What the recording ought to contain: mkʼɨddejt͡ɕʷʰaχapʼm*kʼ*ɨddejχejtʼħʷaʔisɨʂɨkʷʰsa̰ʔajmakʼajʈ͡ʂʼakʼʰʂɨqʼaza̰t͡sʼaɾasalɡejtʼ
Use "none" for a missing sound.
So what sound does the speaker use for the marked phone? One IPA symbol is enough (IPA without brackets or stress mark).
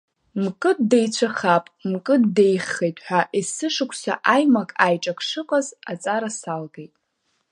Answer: kʼ